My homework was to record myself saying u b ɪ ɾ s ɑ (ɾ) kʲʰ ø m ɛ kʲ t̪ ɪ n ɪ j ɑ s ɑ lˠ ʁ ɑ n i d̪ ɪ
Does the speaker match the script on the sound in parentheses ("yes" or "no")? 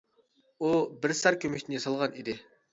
yes